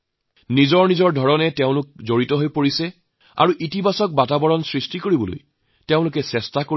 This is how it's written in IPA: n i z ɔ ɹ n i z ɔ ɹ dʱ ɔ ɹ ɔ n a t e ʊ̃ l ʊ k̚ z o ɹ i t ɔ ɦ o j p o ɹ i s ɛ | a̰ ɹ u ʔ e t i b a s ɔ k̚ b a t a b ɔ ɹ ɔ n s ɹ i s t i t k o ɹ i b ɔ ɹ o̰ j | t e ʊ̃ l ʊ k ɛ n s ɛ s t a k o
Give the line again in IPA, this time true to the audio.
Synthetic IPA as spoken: n i z ɔ ɹ n i z ɔ ɹ dʱ ɔ ɹ ɔ n ɛ t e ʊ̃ l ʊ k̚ z o ɹ i t ɔ ɦ o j p o ɹ i s ɛ | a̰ ɹ u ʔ i t i b a s ɔ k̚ b a t a b ɔ ɹ ɔ n s ɹ i s t i k o ɹ i b ɔ l o̰ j | t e ʊ̃ l ʊ k ɛ s ɛ s t a k o